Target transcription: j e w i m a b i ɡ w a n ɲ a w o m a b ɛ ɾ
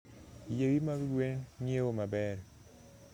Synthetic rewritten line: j e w i m a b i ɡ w e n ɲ e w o m a b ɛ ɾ